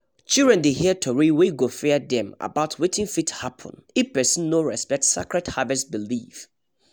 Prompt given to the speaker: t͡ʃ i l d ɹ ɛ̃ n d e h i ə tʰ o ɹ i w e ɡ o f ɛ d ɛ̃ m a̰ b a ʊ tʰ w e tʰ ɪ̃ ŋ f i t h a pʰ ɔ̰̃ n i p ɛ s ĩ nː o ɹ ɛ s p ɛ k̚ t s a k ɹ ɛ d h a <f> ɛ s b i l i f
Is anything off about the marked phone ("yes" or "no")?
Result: yes